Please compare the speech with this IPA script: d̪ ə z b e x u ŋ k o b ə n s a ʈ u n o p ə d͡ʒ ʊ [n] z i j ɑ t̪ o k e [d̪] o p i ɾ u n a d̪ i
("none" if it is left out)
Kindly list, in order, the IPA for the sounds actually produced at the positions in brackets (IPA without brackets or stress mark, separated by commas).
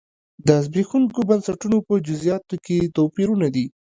none, t̪